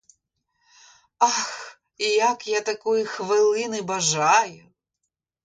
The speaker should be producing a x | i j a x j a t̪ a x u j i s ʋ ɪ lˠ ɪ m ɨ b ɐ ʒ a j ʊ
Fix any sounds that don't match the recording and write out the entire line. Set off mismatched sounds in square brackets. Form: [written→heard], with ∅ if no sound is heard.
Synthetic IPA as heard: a x | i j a [x→k] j a t̪ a [x→k] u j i [s→x] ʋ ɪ lˠ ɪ [m→n] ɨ b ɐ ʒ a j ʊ